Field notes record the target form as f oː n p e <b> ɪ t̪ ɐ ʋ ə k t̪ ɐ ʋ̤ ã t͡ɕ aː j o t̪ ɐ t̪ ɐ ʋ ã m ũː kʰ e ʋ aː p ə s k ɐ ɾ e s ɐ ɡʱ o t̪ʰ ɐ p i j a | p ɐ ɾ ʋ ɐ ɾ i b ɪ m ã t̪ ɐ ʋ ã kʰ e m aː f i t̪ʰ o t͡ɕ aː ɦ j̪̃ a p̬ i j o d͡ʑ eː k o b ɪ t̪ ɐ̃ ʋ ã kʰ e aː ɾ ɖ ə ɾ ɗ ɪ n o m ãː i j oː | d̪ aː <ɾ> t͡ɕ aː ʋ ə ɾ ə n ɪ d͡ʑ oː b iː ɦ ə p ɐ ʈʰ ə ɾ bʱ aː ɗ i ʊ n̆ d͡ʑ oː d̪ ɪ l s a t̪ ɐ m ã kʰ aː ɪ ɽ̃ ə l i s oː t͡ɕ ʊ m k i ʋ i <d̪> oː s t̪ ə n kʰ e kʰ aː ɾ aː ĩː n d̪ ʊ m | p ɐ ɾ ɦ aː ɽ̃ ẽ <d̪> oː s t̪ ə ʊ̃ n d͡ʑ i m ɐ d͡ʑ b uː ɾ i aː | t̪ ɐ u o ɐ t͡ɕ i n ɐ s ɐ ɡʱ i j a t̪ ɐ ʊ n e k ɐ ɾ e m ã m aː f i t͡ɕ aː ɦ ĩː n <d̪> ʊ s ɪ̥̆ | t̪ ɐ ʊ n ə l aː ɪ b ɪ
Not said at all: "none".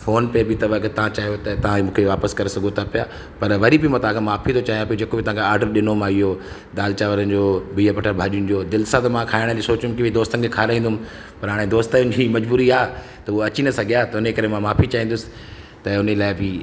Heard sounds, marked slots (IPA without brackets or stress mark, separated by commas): b, l, d̪, d̪, d̪